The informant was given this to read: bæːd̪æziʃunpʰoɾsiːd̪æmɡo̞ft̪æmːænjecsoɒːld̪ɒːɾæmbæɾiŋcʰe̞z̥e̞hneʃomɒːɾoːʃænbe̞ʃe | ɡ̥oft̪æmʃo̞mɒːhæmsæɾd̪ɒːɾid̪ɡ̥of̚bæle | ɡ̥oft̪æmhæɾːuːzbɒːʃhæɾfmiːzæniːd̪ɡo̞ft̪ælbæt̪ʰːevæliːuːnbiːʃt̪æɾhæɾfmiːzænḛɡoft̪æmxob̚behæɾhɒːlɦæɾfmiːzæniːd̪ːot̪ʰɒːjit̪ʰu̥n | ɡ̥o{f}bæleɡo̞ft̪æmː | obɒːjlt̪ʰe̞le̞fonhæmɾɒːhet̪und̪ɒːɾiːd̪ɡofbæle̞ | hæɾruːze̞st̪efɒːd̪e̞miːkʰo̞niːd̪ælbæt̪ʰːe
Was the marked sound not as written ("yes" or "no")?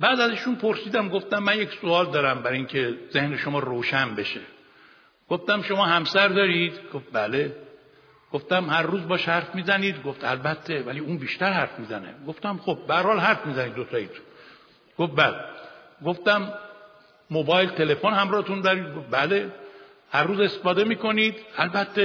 no